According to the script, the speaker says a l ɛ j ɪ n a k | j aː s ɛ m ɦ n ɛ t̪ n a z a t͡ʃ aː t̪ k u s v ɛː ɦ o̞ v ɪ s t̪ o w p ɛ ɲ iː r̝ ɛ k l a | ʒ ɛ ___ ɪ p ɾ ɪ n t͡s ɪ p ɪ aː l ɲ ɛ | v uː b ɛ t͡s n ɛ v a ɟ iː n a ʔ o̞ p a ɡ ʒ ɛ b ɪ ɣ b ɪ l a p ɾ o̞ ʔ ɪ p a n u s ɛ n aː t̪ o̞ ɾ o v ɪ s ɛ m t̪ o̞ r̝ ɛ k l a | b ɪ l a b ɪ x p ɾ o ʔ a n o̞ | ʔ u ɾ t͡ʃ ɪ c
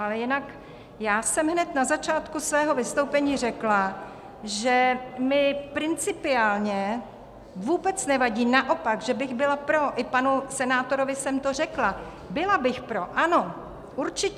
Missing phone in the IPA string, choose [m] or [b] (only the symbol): m